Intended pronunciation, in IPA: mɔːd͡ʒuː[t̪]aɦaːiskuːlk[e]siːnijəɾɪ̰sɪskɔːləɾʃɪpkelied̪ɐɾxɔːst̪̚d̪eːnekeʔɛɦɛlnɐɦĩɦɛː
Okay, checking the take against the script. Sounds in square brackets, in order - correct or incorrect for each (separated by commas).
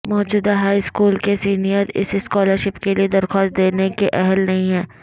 incorrect, correct